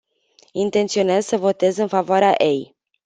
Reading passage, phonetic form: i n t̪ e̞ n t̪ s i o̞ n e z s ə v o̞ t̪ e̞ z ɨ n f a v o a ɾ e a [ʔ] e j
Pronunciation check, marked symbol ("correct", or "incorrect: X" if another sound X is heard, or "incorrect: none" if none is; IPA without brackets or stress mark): correct